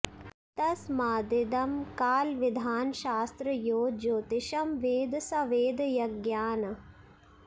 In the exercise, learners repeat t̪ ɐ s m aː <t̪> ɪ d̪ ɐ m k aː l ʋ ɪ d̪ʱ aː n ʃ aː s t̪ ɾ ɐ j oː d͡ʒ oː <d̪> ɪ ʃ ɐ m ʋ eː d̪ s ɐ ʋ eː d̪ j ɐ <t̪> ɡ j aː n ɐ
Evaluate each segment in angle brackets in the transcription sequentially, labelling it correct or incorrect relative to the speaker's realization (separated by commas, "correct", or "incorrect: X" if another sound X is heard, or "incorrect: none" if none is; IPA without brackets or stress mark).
incorrect: d̪, incorrect: t̪, incorrect: none